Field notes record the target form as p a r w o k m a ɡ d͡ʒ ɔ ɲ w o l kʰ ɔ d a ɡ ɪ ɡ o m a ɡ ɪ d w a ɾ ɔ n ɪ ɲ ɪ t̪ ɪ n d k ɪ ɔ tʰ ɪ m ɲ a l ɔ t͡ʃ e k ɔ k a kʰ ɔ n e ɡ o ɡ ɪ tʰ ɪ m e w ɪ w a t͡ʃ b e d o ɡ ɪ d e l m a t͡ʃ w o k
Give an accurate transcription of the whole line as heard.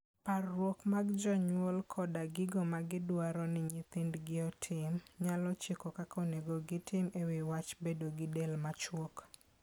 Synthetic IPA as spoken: p a r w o k m a ɡ d͡ʒ ɔ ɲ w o l kʰ ɔ d a ɡ ɪ ɡ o m a ɡ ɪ d w a ɾ ɔ n ɪ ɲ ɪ t̪ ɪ n d ɡ ɪ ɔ tʰ ɪ m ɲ a l ɔ t͡ʃ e k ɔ k a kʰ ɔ n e ɡ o ɡ ɪ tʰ ɪ m e w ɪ w a t͡ʃ b e d o ɡ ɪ d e l m a t͡ʃ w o k

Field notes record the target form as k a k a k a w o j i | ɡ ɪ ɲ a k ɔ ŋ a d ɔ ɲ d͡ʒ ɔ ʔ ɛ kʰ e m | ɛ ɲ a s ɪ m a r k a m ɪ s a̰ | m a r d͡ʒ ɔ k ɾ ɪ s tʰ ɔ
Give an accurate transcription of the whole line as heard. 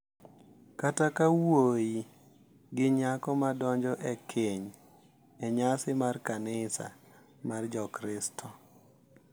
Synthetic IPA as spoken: k a t a k a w o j i | ɡ ɪ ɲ a k ɔ m a d ɔ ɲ d͡ʒ ɔ ʔ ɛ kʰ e ɲ | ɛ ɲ a s ɪ m a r k a n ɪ s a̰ | m a r d͡ʒ ɔ k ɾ ɪ s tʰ ɔ

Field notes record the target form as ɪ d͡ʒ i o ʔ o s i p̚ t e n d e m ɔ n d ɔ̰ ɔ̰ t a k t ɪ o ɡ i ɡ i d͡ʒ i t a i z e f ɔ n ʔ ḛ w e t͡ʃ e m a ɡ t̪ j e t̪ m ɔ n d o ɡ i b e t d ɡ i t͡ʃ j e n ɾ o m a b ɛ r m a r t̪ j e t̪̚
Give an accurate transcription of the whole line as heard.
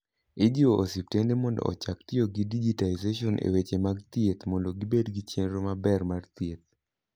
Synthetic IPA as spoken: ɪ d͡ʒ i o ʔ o s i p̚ t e n d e m ɔ n d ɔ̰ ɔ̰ t͡ʃ a k t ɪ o ɡ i d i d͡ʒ i t a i z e ʃ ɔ n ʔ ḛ w e t͡ʃ e m a ɡ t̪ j e t̪ m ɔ n d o ɡ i b e d ɡ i t͡ʃ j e n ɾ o m a b ɛ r m a r t̪ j e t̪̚

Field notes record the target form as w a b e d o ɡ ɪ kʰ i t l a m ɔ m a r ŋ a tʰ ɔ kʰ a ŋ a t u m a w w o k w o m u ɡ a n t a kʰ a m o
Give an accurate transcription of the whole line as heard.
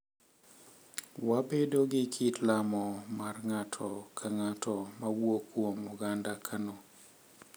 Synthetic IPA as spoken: w a b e d o ɡ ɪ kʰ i t l a m ɔ m a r ŋ a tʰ ɔ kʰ a ŋ a t ɔ m a w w o k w o m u ɡ a n d a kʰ a n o

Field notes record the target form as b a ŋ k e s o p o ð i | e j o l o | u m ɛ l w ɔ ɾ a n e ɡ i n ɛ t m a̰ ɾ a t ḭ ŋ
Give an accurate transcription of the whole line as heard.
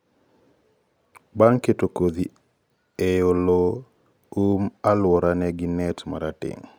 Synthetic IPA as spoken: b a ŋ k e t o k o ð i | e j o l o | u m a l w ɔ ɾ a n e ɡ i n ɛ t m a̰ ɾ a t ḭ ŋ

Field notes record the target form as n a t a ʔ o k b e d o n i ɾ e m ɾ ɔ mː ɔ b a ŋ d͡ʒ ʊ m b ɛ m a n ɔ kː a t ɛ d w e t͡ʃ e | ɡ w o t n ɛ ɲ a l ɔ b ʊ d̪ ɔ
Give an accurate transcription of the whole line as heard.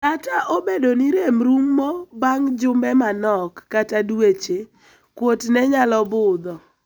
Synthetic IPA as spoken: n a t a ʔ o b e d o n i ɾ e m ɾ u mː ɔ b a ŋ d͡ʒ ʊ m b ɛ m a n ɔ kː a t a d w e t͡ʃ e | k w o t n ɛ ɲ a l ɔ b ʊ d̪ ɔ

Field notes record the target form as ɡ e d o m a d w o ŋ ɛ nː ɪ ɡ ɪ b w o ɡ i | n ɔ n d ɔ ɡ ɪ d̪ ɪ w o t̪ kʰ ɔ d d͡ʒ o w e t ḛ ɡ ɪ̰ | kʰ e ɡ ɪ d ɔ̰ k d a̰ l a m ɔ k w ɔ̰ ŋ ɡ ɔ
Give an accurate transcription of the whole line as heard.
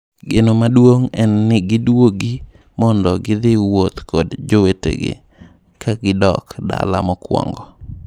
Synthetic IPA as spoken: ɡ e n o m a d w o ŋ ɛ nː ɪ ɡ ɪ d w o ɡ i | m ɔ n d ɔ ɡ ɪ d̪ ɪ w o t̪ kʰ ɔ d d͡ʒ o w e t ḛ ɡ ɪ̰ | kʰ a ɡ ɪ d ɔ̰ k d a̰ l a m ɔ k w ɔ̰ ŋ ɡ ɔ

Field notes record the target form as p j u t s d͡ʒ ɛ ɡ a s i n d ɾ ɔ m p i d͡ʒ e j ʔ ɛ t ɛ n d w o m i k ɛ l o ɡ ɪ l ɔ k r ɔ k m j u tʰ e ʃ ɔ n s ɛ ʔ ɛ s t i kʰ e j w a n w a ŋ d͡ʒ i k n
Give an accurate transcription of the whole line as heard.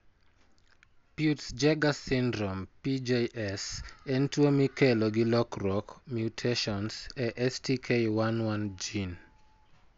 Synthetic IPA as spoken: p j u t s d͡ʒ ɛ ɡ a s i n d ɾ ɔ m p i d͡ʒ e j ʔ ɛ s ɛ n t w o m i k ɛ l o ɡ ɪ l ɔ k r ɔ k m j u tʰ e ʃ ɔ n s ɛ ʔ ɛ s t i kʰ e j w a n w a n d͡ʒ i n

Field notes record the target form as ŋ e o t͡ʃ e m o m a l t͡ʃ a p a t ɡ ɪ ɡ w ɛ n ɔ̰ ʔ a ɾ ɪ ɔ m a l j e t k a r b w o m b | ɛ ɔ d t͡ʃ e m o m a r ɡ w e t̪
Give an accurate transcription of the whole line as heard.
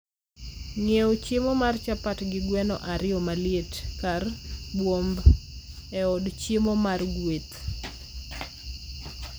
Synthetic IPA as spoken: ŋ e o t͡ʃ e m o m a r t͡ʃ a p a t ɡ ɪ ɡ w ɛ n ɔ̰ ʔ a ɾ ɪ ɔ m a l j e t k a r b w o m b | ɛ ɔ d t͡ʃ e m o m a r ɡ w e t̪

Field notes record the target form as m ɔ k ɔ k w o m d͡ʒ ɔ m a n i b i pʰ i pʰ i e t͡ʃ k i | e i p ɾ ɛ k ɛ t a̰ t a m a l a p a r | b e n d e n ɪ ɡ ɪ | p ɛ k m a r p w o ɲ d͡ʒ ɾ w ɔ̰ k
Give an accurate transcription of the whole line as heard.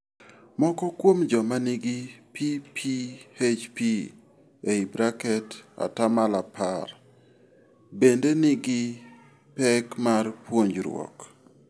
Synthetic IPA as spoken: m ɔ k ɔ k w o m d͡ʒ ɔ m a n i ɡ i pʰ i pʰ i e t͡ʃ p i | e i b ɾ a k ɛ t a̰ t a m a l a p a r | b e n d e n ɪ ɡ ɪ | p ɛ k m a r p w o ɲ d͡ʒ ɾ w ɔ̰ k

